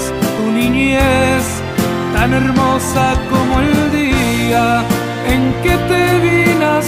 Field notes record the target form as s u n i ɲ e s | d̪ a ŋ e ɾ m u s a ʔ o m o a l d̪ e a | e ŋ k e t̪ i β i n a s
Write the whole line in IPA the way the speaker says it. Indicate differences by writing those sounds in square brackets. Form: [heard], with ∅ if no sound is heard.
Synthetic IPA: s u n i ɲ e s | [t̪] a [n] e ɾ m [o] s a [k] o m o [e] l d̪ [i] a | e ŋ k e t̪ [e] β i n a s